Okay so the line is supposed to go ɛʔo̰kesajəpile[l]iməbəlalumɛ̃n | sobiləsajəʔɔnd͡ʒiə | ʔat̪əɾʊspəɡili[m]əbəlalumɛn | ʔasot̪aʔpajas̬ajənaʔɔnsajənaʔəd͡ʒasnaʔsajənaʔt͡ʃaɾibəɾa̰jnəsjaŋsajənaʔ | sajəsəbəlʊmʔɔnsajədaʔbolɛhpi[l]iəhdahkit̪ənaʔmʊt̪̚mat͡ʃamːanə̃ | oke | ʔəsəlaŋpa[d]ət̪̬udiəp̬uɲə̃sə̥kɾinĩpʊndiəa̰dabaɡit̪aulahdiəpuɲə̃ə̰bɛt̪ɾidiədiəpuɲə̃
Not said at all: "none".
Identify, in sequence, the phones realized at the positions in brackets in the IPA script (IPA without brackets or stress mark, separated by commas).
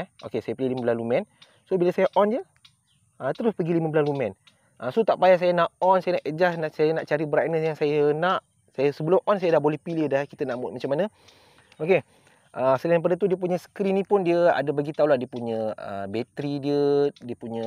l, m, l, d